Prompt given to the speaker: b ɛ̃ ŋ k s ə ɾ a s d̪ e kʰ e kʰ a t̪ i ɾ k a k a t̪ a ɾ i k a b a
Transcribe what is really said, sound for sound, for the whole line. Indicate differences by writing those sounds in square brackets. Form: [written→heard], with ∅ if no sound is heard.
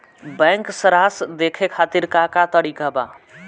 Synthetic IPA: b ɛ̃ ŋ k s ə ɾ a s d̪ e kʰ e kʰ a t̪ i ɾ k a k a t̪ [a→ə] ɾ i k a b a